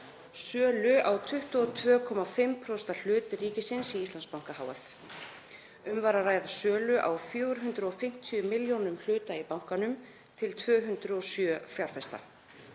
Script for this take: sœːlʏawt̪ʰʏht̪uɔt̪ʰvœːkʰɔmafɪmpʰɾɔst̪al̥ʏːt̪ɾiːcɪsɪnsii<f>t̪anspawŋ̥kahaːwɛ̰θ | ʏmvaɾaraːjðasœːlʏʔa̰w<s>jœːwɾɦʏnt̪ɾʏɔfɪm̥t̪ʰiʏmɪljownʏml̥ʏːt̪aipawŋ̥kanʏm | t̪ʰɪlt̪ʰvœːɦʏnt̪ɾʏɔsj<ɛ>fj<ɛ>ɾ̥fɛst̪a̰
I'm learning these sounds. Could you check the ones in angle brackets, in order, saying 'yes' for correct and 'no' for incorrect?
no, no, no, no

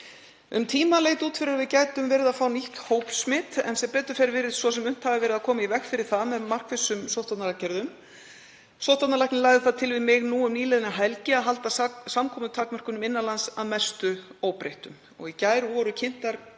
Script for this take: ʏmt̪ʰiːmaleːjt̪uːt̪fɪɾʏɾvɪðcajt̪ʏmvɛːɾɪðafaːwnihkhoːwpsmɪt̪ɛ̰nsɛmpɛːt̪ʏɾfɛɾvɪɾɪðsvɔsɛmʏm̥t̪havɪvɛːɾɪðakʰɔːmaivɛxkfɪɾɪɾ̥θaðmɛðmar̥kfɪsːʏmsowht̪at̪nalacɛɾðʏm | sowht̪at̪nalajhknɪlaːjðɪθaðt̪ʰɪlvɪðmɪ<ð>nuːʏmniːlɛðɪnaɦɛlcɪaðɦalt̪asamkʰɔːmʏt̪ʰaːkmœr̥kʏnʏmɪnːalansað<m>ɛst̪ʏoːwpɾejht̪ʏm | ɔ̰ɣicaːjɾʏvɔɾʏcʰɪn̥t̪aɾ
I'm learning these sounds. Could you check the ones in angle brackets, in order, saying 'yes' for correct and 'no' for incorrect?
no, yes

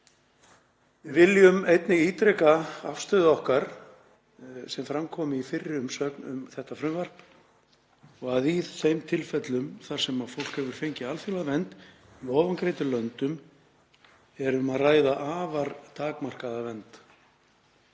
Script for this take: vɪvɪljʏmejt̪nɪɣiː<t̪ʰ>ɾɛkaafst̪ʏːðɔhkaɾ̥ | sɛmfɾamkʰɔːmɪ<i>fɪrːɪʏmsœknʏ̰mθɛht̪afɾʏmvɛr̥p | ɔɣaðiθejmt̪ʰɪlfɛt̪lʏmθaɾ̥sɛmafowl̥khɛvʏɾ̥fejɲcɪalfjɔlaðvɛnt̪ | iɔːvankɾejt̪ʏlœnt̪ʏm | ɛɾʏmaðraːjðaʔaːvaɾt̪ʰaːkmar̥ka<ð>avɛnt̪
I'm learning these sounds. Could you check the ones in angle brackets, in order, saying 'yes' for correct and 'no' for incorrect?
no, yes, yes

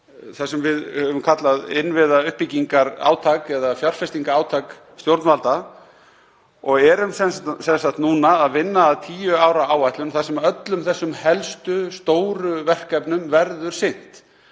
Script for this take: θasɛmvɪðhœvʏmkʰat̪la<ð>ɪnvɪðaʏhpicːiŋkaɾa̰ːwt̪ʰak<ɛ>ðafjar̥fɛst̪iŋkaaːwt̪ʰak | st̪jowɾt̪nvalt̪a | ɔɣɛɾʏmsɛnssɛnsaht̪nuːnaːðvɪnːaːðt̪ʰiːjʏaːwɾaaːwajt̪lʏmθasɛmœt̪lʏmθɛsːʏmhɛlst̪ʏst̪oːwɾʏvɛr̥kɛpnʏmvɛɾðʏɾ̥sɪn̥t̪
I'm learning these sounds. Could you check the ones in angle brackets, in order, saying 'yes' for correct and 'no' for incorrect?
yes, yes

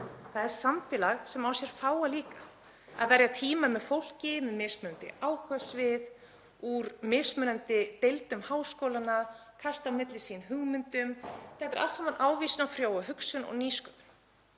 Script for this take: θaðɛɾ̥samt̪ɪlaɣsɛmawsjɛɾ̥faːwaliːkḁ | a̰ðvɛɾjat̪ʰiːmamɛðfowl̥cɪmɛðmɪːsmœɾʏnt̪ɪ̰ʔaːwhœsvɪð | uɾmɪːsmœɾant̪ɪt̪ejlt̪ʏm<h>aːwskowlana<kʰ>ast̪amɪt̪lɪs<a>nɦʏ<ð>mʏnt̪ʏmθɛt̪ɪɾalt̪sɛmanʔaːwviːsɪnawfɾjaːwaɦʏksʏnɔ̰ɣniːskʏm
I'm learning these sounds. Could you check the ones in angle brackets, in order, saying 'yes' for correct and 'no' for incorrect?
yes, yes, no, no

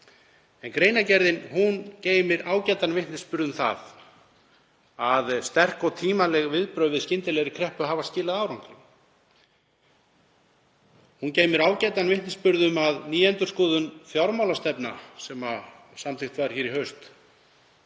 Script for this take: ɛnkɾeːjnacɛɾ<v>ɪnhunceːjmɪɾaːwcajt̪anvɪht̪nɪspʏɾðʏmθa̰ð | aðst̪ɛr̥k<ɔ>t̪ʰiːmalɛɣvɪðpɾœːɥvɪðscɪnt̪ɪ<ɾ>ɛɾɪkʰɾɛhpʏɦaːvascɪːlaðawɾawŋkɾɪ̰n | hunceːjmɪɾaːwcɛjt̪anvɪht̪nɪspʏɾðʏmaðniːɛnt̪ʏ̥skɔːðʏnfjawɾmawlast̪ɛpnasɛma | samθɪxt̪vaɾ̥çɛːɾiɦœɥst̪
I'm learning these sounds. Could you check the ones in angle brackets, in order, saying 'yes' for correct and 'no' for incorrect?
no, yes, no

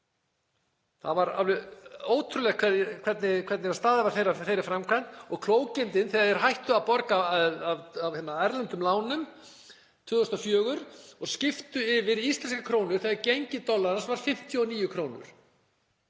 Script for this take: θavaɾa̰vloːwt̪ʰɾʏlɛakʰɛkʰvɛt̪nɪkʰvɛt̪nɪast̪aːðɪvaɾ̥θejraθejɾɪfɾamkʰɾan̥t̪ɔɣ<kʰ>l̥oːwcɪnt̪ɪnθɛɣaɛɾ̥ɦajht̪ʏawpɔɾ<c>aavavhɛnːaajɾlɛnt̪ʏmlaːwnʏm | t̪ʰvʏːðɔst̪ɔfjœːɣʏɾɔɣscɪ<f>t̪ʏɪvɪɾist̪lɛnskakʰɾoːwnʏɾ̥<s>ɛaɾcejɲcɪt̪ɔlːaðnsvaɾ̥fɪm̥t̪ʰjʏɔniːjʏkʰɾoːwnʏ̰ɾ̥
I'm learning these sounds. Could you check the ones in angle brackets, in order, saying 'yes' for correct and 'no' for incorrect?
yes, no, yes, no

